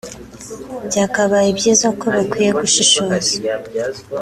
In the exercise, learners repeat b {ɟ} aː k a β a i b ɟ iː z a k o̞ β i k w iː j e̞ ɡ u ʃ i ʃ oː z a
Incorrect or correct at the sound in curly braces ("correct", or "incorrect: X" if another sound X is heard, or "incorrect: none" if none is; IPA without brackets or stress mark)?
correct